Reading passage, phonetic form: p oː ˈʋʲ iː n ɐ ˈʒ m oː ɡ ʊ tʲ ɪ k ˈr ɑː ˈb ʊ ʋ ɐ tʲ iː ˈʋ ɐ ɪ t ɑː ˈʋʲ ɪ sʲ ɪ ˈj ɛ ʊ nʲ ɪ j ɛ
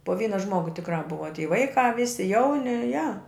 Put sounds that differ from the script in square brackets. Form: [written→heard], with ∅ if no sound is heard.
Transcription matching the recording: p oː ˈʋʲ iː n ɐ ˈʒ m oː ɡ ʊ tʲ ɪ k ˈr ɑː ˈb ʊ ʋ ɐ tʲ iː ˈʋ ɐ ɪ [t→k] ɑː ˈʋʲ ɪ sʲ ɪ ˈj ɛ ʊ nʲ ɪ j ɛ